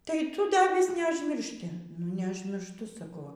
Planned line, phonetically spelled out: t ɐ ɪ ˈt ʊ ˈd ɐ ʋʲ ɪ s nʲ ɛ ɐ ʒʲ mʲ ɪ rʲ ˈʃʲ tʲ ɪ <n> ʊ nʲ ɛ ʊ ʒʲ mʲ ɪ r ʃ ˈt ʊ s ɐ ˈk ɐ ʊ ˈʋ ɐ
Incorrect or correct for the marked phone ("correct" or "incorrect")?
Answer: correct